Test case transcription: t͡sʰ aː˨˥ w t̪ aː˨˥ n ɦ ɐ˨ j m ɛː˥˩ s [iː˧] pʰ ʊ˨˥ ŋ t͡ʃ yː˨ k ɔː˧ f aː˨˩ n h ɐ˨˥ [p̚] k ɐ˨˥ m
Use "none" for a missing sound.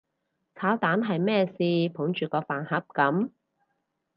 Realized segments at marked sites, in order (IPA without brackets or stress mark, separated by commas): iː˧, p̚